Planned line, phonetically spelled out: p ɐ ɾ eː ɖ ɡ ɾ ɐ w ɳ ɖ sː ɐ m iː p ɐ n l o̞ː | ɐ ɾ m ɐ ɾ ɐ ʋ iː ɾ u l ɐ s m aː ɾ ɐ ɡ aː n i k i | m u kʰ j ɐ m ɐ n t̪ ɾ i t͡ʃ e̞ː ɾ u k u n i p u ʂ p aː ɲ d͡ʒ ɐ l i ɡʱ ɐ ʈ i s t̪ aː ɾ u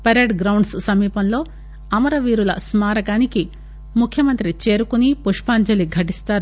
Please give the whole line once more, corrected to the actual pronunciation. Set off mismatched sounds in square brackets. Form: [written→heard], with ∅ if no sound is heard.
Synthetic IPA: p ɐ ɾ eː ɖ ɡ ɾ ɐ w ɳ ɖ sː ɐ m iː p ɐ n l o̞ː | ɐ [ɾ→∅] m ɐ ɾ ɐ ʋ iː ɾ u l ɐ s m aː ɾ ɐ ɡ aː n i k i | m u kʰ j ɐ m ɐ n t̪ ɾ i t͡ʃ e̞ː ɾ u k u n i p u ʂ p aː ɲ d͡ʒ ɐ l i ɡʱ ɐ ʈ i s t̪ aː ɾ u